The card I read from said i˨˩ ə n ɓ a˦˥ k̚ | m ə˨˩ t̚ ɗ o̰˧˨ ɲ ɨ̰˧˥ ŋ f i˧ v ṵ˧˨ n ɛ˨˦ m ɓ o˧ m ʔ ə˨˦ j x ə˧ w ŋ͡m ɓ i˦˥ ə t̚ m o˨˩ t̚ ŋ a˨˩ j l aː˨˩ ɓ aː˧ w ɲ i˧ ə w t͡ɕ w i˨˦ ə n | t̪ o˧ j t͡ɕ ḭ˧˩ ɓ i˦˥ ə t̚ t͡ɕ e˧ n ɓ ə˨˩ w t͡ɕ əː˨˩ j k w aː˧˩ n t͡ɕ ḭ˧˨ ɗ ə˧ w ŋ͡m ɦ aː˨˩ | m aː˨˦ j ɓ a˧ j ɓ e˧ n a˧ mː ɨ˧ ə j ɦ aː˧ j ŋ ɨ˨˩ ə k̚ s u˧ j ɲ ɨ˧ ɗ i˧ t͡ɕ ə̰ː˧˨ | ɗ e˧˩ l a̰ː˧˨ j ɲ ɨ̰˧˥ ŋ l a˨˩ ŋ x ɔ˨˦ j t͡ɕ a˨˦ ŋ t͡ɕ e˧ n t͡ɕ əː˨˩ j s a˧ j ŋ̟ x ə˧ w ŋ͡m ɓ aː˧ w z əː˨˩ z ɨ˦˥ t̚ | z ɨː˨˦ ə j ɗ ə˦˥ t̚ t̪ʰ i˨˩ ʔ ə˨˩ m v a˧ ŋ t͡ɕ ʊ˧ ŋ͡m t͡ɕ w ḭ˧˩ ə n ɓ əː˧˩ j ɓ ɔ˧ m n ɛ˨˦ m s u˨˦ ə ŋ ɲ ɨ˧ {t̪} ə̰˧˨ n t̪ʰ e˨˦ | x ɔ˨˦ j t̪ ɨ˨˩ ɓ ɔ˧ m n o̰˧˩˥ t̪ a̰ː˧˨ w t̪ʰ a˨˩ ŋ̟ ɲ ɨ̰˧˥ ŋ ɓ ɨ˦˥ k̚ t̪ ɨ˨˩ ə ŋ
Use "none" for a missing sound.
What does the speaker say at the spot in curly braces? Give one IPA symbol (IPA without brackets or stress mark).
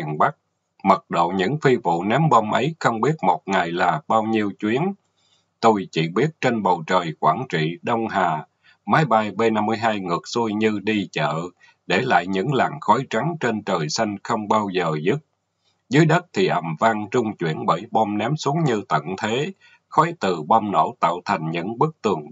t̪